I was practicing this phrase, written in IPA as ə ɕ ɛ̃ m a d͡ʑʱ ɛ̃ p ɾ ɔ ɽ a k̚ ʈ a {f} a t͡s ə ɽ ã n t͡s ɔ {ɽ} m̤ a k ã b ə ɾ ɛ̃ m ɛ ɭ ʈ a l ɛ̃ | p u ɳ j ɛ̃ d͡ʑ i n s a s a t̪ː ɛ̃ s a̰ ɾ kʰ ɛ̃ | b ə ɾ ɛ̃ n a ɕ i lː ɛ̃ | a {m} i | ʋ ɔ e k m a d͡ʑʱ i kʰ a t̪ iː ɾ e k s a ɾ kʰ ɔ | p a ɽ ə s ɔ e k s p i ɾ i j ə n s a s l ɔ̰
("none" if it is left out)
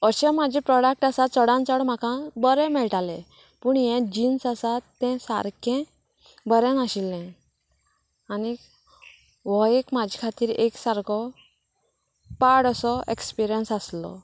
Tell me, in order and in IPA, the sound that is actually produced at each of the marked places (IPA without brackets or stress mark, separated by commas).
s, ɽ, n